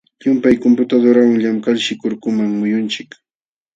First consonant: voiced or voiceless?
voiced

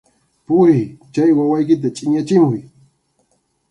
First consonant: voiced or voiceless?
voiceless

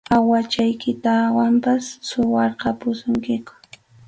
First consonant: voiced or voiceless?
voiced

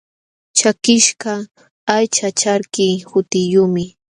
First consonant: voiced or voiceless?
voiceless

